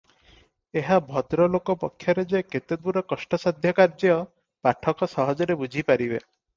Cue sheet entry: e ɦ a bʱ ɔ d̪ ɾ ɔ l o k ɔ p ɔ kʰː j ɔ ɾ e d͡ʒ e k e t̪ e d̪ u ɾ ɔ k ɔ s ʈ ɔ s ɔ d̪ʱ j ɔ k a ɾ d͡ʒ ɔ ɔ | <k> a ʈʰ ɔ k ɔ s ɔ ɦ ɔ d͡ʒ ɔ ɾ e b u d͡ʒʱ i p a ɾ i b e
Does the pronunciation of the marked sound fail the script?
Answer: yes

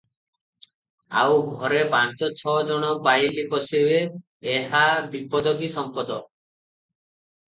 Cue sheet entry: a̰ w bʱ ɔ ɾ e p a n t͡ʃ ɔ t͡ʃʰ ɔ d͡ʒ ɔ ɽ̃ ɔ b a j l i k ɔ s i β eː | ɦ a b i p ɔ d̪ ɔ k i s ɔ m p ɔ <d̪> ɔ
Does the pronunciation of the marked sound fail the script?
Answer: no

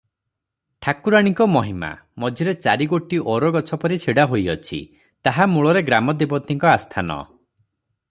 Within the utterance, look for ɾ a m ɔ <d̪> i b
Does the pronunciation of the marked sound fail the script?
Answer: no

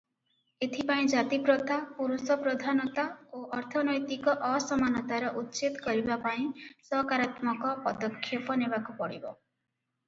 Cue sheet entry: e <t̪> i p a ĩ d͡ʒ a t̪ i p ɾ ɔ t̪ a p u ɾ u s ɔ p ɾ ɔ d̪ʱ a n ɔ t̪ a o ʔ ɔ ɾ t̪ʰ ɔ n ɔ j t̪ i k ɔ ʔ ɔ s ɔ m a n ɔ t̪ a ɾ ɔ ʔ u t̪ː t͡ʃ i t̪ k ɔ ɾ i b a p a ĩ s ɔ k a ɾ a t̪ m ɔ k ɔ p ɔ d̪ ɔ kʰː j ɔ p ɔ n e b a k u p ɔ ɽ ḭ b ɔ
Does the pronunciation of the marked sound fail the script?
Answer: yes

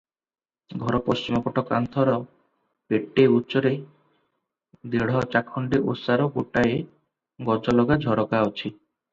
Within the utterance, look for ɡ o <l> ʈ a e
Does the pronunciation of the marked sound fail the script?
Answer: yes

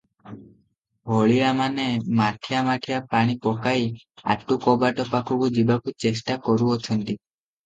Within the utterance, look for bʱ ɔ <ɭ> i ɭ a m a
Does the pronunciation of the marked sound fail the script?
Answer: no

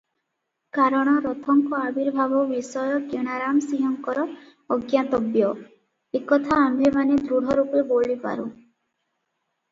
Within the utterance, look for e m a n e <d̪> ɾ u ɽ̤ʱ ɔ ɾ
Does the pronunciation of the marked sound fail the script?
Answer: no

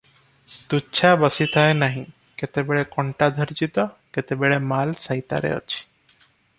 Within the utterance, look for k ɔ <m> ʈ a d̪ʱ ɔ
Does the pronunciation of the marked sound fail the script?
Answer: yes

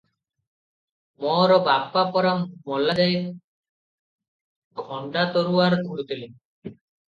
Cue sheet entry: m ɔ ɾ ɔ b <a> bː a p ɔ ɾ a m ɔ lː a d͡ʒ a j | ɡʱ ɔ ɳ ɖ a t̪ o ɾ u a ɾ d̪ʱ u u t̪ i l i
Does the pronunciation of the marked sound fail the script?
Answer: no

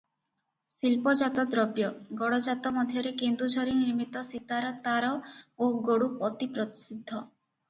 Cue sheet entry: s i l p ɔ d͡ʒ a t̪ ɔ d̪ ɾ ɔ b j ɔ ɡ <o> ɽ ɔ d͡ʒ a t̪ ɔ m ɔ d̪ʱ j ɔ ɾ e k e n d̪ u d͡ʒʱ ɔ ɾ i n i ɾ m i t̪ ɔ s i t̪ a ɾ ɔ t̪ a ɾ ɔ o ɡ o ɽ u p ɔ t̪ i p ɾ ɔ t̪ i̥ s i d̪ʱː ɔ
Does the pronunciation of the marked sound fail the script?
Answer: yes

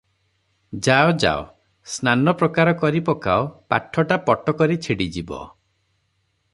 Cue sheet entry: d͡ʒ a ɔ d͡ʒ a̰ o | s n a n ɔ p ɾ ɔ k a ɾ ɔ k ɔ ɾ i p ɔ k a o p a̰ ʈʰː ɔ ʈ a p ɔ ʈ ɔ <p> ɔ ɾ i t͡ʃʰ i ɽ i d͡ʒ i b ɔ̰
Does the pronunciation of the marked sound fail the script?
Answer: yes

